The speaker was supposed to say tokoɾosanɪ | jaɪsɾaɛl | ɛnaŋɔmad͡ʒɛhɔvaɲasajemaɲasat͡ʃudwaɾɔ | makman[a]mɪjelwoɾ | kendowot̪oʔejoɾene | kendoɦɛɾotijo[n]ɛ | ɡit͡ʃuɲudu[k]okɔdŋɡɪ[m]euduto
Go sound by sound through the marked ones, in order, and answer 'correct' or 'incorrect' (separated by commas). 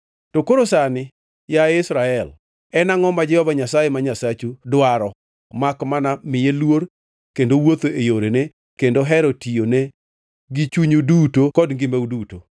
correct, correct, incorrect, correct